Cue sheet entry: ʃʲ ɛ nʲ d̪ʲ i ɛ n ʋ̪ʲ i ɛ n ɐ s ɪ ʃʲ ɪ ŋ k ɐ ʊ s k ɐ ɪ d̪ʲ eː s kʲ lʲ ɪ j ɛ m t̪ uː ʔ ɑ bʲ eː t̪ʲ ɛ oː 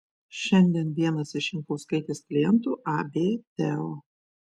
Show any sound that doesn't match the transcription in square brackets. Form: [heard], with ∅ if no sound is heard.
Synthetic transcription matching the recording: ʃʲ ɛ nʲ d̪ʲ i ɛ n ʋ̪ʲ i ɛ n ɐ s ɪ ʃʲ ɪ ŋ k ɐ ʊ s k ɐ ɪ [t̪ʲ] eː s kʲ lʲ ɪ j ɛ [n] t̪ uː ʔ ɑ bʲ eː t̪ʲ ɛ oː